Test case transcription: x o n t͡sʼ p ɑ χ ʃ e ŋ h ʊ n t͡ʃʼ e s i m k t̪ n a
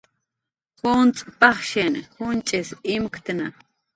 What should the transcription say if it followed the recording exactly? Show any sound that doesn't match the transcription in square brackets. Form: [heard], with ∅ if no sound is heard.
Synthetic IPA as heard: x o n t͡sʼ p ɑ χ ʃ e [n] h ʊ n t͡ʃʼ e s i m k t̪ n a